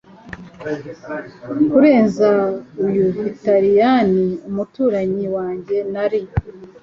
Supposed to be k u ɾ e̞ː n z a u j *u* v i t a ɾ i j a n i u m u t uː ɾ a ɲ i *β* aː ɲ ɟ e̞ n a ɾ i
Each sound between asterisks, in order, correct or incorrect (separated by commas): correct, incorrect